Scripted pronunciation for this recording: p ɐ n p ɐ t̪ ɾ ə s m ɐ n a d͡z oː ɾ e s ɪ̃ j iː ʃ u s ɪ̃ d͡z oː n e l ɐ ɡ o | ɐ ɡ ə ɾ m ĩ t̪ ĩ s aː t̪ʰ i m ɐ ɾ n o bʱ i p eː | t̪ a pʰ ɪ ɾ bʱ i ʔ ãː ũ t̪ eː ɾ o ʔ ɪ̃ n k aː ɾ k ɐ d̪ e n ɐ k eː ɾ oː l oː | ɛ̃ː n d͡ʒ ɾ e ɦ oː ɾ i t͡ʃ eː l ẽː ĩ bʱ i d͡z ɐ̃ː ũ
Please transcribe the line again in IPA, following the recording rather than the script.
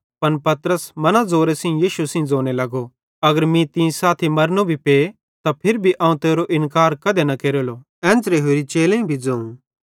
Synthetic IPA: p ɐ n p ɐ t̪ ɾ ə s m ɐ n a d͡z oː ɾ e s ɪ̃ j iː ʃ u s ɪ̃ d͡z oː n e l ɐ ɡ o | ɐ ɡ ə ɾ m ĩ t̪ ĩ s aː t̪ʰ i m ɐ ɾ n o bʱ i p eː | t̪ a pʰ ɪ ɾ bʱ i ʔ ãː ũ t̪ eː ɾ o ʔ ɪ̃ n k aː ɾ k ɐ d̪ e n ɐ k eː ɾ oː l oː | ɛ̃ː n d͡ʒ ɾ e ɦ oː ɾ i t͡ʃ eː l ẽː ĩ bʱ i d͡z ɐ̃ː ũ